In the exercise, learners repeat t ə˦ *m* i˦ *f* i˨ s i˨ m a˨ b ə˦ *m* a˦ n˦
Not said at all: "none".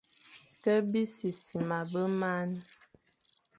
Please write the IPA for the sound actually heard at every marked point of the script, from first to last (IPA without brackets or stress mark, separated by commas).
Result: b, s, m